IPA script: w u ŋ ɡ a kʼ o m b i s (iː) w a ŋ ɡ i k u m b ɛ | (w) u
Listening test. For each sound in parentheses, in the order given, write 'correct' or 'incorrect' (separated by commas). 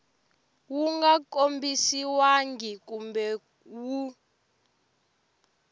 incorrect, correct